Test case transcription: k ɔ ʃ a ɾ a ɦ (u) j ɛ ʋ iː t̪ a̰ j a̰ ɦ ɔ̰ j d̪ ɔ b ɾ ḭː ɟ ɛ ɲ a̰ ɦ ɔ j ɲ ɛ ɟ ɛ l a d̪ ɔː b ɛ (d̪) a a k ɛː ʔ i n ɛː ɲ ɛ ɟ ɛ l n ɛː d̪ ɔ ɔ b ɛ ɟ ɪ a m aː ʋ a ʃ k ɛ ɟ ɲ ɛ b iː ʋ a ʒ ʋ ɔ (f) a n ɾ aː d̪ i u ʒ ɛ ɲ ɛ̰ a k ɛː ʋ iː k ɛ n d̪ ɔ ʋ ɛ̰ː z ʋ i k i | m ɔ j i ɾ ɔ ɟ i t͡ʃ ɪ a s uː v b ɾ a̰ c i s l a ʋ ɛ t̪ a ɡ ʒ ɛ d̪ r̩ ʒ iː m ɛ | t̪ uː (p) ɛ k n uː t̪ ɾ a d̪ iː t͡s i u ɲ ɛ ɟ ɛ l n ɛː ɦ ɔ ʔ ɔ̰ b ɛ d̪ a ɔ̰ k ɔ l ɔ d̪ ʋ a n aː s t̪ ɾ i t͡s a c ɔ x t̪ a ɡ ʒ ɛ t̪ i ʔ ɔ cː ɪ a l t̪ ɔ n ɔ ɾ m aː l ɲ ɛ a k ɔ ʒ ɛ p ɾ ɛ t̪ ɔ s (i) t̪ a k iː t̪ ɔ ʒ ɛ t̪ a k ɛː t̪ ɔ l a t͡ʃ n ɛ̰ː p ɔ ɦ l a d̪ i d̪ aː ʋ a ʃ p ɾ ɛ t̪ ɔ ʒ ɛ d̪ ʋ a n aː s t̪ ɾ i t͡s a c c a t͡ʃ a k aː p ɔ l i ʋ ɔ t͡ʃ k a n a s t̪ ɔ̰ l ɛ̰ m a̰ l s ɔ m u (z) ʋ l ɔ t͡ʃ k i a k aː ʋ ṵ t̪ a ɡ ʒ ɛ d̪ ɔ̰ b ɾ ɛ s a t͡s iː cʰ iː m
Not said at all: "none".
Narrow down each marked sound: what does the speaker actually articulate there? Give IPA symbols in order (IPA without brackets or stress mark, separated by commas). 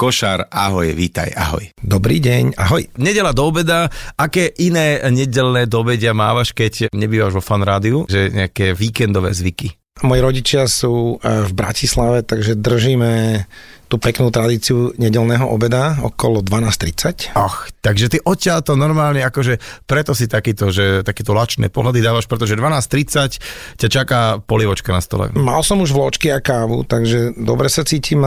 ɔ, d̪, f, p, i, ʒ